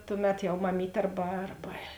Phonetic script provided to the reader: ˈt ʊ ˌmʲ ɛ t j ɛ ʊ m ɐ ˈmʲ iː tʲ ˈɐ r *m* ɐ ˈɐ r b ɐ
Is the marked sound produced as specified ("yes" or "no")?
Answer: no